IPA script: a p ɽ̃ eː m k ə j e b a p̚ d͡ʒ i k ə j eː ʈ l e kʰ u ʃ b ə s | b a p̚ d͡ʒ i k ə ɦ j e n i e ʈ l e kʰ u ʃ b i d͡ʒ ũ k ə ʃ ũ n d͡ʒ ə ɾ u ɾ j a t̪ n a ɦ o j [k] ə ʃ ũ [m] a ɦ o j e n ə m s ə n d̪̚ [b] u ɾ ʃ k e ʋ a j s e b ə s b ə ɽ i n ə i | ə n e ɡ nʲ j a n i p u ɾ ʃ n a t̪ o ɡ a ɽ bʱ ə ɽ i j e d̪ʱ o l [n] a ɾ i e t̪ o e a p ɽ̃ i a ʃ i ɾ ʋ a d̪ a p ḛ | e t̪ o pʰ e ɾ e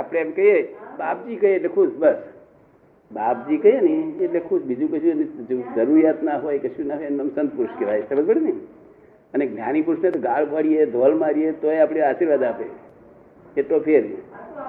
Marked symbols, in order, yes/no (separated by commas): yes, no, no, no